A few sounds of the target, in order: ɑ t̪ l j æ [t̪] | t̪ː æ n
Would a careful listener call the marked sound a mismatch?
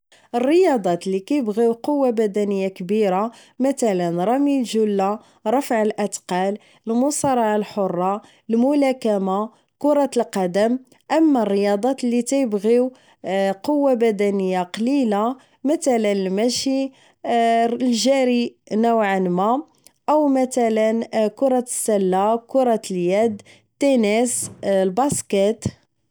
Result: yes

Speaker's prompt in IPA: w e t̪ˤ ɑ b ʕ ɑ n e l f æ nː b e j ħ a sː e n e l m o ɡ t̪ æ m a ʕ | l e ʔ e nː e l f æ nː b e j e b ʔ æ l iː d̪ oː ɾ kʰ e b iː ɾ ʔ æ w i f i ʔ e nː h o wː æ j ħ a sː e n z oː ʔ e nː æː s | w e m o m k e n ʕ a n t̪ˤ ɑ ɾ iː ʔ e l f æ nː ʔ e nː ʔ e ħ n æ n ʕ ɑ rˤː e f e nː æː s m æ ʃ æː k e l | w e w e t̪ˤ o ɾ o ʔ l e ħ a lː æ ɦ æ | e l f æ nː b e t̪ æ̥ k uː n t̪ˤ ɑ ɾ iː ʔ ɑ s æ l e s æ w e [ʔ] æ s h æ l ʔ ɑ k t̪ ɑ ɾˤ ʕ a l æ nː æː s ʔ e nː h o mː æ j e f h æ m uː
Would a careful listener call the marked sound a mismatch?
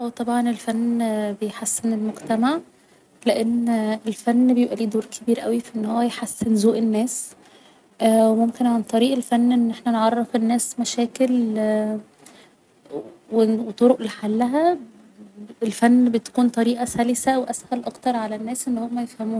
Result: no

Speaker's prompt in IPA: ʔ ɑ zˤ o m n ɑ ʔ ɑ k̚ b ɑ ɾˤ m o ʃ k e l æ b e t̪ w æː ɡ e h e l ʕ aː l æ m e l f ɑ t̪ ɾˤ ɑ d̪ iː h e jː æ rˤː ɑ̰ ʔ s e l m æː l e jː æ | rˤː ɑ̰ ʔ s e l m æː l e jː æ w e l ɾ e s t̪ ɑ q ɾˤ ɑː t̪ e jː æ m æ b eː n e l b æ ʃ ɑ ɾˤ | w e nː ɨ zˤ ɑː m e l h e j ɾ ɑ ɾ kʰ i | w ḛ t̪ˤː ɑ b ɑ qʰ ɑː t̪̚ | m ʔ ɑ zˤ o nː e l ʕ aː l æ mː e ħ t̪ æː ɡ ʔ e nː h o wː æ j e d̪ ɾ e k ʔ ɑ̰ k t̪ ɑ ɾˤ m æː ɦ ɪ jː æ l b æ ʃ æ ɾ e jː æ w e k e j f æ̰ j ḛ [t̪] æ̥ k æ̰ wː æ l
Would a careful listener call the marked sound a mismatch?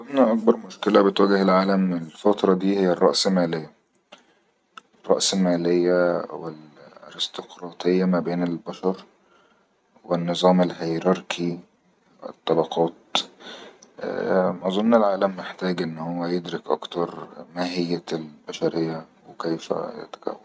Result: no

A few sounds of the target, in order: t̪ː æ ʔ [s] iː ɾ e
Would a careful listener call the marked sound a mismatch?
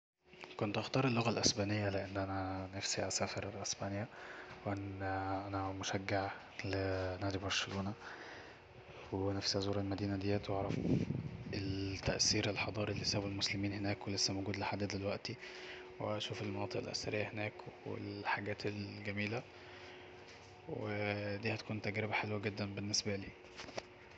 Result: no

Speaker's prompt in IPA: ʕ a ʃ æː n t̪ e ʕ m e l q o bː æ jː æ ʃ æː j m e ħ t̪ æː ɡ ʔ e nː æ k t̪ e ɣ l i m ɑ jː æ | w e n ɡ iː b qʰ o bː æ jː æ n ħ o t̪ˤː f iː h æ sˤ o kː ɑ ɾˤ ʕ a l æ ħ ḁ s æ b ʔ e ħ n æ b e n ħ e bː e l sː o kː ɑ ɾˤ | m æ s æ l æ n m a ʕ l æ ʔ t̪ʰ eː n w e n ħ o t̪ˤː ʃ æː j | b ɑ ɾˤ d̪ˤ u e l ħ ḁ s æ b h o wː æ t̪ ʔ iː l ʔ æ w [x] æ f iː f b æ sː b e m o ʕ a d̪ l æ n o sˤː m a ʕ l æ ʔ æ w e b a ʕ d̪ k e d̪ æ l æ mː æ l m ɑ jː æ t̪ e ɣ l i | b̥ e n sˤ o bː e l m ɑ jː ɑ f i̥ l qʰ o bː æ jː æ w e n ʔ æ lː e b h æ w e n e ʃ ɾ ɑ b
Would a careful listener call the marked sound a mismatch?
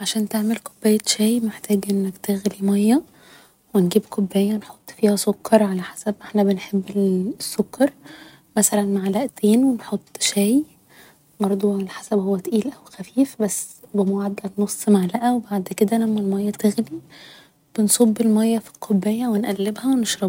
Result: no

